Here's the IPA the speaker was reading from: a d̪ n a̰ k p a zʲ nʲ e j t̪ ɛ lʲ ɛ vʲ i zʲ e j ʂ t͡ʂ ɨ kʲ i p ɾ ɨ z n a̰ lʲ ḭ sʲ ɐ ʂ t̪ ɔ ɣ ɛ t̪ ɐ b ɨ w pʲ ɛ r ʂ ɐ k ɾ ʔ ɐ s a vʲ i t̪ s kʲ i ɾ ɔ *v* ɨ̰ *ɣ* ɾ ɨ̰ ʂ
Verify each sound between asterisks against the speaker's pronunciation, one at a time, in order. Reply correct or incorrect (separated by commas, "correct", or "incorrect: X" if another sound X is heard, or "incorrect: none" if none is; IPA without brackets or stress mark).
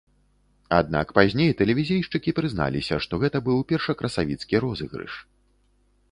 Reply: incorrect: z, correct